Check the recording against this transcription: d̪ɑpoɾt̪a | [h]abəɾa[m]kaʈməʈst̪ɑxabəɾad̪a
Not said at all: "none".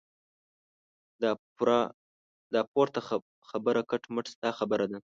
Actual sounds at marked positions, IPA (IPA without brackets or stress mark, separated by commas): x, none